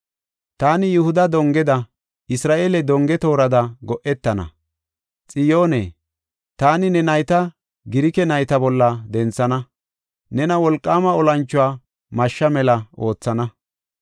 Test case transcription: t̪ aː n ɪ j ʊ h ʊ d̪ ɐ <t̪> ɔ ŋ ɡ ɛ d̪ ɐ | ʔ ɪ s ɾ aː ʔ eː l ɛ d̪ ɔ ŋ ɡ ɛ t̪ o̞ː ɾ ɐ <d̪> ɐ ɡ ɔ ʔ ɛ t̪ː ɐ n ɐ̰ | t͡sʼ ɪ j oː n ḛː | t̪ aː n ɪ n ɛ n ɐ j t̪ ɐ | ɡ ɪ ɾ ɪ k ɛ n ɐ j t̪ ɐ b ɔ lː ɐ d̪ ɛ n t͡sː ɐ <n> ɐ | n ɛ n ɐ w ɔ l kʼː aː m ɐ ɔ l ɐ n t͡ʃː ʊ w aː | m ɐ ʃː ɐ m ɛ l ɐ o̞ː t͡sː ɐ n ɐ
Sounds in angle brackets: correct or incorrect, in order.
incorrect, correct, correct

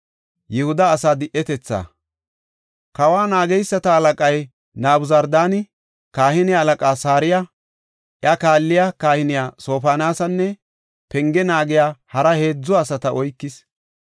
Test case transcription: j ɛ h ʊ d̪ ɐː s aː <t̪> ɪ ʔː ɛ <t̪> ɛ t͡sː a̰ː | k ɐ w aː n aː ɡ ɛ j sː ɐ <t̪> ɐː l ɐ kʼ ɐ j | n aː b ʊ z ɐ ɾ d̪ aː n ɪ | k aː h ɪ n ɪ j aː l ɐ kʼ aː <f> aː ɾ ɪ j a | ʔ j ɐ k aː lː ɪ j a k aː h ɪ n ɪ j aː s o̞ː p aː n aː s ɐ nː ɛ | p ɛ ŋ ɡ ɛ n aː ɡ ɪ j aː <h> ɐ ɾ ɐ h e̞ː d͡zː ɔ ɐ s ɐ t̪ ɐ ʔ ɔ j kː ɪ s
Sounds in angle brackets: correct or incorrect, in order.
incorrect, correct, correct, incorrect, correct

